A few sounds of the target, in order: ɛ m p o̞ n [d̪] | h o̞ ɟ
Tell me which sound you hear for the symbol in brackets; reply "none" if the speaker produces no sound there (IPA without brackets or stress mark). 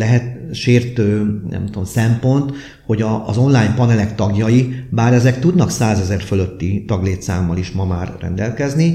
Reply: t̪